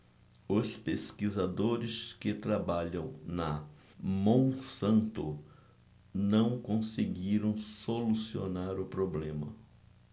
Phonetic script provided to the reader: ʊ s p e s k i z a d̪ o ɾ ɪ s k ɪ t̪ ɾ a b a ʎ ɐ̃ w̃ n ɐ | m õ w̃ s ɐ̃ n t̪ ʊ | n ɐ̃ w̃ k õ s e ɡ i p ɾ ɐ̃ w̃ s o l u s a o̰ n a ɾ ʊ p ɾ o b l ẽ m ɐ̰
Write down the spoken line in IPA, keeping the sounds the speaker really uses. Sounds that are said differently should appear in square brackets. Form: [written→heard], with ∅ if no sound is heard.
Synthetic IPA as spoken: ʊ s p e s k i z a d̪ o ɾ ɪ s k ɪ t̪ ɾ a b a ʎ ɐ̃ w̃ n ɐ | m õ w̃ s ɐ̃ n t̪ ʊ | n ɐ̃ w̃ k õ s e ɡ i [p→∅] ɾ ɐ̃ w̃ s o l u s [a→i] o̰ n a ɾ ʊ p ɾ o b l ẽ m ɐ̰